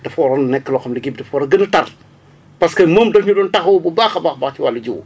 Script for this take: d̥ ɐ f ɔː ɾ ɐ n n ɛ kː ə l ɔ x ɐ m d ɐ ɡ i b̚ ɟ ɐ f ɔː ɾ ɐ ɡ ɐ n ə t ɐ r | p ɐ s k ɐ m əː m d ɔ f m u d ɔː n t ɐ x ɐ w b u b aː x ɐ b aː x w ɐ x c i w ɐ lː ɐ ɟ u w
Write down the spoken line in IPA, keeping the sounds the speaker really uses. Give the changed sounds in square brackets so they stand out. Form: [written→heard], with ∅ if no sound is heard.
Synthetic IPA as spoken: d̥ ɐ f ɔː ɾ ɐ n n ɛ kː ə l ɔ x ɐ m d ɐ ɡ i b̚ [ɟ→d] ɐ f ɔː ɾ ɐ ɡ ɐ n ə t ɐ r | p ɐ s k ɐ m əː m d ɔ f [m→ɲ] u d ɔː n t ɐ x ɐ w b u b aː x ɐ b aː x [w→b] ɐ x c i w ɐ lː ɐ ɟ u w